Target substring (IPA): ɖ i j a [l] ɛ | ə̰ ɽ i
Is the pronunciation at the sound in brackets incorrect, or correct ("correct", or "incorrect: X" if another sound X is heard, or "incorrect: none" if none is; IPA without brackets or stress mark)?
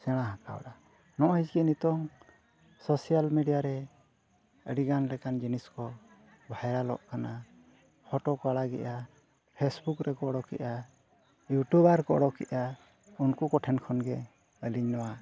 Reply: incorrect: ɾ